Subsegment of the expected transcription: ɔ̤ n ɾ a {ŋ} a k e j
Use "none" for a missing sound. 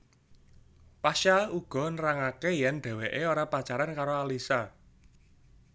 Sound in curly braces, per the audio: ŋ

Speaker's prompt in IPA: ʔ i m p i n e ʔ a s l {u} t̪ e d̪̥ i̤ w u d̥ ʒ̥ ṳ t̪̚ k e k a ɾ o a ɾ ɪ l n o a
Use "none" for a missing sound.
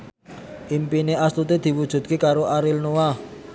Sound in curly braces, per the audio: u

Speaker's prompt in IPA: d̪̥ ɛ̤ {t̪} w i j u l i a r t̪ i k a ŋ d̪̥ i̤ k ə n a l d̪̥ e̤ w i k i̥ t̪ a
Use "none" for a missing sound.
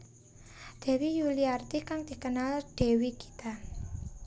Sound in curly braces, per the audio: none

